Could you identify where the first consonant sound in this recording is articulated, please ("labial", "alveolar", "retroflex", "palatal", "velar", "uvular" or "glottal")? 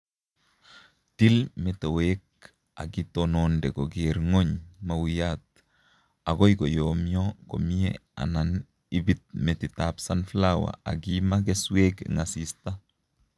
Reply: alveolar